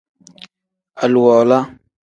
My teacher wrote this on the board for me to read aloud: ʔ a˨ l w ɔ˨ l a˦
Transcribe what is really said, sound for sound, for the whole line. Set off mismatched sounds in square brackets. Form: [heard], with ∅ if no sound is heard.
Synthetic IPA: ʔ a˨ l w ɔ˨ l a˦

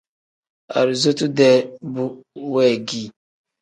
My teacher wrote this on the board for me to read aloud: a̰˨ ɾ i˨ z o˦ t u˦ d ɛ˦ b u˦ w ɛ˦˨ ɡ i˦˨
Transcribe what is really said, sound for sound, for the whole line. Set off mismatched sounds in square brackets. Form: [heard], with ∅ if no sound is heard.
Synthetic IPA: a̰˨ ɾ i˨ z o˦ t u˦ d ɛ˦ b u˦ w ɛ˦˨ ɡ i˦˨

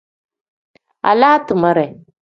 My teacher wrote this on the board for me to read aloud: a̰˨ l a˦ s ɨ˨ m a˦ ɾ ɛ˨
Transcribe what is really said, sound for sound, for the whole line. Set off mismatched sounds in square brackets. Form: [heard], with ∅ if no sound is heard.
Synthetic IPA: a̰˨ l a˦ [t] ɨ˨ m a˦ ɾ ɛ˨

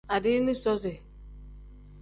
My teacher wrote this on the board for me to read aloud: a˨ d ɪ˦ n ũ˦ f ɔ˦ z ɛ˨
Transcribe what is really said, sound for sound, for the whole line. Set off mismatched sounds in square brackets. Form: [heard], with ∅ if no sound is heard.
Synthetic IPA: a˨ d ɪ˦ n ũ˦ [s] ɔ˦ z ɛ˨

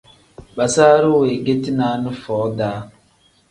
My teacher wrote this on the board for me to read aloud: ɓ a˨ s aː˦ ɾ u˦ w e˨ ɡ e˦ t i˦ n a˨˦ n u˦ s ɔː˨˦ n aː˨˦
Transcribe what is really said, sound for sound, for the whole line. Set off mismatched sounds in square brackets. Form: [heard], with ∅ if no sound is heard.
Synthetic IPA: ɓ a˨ s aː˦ ɾ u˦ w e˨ ɡ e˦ t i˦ n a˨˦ n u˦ [f] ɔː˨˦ [d] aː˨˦

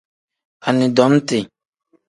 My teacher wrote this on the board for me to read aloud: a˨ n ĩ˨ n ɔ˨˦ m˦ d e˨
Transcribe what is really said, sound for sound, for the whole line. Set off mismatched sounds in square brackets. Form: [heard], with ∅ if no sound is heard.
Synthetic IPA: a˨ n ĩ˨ [d] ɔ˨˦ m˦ [t] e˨

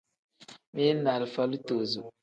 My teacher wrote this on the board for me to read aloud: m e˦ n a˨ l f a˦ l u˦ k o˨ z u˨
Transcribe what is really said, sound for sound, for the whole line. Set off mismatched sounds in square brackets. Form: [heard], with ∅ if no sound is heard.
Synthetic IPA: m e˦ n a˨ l f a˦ l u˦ [t] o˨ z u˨

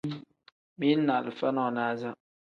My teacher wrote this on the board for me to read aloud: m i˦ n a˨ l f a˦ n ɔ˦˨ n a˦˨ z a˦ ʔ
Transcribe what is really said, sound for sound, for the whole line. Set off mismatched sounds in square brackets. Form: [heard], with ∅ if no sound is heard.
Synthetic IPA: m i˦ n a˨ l f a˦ n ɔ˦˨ n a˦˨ z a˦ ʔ

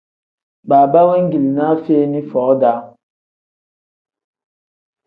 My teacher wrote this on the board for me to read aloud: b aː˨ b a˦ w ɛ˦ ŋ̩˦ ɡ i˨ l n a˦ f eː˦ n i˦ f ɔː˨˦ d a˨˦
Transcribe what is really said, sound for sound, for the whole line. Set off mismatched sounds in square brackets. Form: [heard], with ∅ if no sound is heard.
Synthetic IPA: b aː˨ b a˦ w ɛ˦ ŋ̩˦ ɡ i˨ l n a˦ f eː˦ n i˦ f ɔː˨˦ d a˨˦

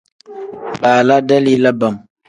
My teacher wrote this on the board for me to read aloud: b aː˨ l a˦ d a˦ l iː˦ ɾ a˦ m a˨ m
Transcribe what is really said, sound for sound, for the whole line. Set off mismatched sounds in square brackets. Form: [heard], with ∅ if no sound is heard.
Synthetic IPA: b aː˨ l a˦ d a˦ l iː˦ [l] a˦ [b] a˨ m

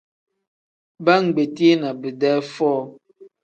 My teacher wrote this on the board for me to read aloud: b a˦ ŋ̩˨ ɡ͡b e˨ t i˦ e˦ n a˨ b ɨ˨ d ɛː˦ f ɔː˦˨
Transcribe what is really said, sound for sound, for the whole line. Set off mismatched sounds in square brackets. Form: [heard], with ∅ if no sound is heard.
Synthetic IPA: b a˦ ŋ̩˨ ɡ͡b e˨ t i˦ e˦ n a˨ b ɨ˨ d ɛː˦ f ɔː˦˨

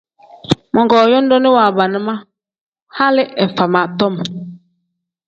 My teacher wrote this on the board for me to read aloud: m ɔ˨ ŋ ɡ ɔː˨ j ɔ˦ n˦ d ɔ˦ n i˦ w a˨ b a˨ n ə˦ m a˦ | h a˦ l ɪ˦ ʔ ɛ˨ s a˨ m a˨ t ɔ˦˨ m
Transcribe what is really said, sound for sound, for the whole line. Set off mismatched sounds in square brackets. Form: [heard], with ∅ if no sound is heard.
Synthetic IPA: m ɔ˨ ŋ ɡ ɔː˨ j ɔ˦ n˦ d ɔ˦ n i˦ w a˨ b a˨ n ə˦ m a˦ | h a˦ l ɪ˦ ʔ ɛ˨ [f] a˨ m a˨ t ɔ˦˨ m

